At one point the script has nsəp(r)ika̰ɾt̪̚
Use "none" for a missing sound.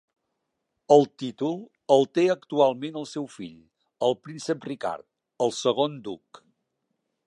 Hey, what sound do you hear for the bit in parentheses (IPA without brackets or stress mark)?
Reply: r